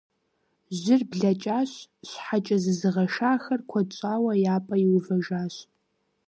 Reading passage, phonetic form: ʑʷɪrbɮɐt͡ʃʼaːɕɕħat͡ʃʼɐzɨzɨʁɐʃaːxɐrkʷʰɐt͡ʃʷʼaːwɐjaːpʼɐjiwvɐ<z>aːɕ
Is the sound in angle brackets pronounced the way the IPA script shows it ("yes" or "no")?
no